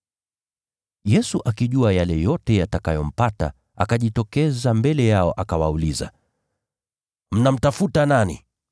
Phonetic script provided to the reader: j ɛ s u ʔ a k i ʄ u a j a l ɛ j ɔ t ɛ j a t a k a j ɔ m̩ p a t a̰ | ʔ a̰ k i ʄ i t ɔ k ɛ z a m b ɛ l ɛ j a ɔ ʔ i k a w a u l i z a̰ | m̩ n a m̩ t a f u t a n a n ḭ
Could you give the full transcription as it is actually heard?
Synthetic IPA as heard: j ɛ s u ʔ a k i ʄ u a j a l ɛ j ɔ t ɛ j a t a k a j ɔ m̩ p a t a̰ | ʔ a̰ k a ʄ i t ɔ k ɛ z a m b ɛ l ɛ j a ɔ ʔ a k a w a u l i z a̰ | m̩ n a m̩ t a f u t a n a n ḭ